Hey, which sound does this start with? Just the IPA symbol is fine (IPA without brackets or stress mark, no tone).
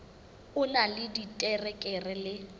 ʊ